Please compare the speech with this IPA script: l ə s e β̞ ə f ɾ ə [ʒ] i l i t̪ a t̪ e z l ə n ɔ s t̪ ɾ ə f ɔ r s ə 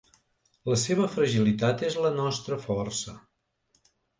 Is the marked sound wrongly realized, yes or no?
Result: no